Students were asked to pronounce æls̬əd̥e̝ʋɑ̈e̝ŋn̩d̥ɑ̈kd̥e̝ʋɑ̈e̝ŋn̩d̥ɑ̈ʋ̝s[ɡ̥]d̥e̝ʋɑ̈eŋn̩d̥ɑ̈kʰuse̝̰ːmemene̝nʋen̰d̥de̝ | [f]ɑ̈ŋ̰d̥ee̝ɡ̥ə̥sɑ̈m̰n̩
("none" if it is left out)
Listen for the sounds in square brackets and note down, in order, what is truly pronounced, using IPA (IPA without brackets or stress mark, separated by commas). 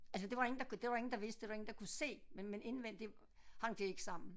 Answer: d̥, h